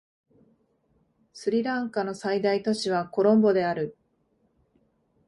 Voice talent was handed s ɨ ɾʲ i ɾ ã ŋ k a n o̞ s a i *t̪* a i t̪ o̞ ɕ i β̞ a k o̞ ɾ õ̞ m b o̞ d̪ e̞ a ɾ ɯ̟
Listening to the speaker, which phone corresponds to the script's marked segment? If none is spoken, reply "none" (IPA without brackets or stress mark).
d̪